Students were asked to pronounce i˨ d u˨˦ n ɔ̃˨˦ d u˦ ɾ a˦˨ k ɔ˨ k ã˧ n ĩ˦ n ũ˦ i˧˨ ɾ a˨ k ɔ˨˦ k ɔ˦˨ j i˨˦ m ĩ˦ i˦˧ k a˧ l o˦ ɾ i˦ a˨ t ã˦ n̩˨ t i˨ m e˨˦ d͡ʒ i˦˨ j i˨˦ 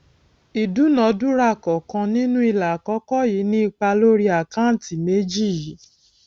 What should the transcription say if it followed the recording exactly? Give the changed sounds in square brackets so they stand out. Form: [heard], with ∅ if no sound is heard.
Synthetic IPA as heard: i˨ d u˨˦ n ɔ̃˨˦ d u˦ ɾ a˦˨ k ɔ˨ k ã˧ n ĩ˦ n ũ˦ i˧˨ [l] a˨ k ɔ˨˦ k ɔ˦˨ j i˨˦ [n] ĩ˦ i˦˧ [k͡p] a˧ l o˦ ɾ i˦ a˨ [k] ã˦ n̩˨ t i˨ m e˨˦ d͡ʒ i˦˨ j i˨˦